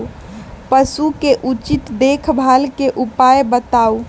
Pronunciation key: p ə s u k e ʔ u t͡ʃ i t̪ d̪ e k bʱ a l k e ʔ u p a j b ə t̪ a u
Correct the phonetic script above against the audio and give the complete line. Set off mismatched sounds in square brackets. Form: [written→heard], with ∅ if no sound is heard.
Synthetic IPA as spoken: p ə s u k e ʔ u t͡ʃ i t̪ d̪ e [k→kʰ] bʱ a l k e ʔ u p a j b ə t̪ a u